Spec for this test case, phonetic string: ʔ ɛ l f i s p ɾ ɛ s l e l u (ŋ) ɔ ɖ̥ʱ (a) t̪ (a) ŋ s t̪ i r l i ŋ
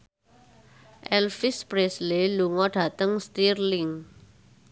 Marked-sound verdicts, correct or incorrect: correct, correct, incorrect

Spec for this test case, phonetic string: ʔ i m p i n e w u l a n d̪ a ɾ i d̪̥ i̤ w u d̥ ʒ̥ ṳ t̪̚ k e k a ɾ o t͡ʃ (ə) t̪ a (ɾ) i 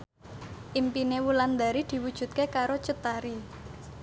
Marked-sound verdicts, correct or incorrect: correct, correct

